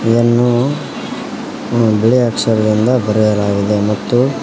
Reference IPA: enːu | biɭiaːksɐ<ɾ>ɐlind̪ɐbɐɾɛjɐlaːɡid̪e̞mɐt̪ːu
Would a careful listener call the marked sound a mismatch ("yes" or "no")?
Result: no